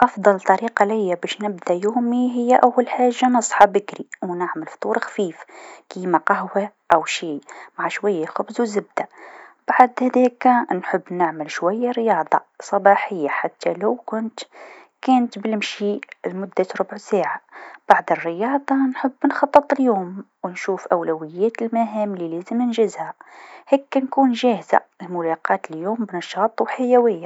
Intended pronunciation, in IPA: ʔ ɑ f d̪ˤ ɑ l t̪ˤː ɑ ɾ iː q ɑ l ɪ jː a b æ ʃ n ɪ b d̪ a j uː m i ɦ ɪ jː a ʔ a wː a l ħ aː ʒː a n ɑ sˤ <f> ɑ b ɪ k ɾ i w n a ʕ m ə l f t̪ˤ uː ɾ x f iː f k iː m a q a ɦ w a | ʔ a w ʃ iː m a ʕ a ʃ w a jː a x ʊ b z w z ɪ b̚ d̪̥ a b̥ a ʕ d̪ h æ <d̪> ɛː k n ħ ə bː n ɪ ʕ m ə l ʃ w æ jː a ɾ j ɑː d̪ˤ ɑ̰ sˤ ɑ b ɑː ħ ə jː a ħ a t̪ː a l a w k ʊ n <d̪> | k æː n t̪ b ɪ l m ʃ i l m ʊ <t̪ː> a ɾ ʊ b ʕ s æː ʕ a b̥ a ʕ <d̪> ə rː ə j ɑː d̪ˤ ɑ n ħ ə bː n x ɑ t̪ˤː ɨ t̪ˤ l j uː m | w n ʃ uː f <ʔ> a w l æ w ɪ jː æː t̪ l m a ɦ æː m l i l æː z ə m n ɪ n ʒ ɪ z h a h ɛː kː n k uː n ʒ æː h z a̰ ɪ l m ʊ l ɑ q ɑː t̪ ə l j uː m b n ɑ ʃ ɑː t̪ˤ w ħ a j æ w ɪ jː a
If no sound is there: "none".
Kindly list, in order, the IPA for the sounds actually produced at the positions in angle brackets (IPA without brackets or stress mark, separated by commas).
ħ, d̪, t̪, d̪ː, d̪, ʔ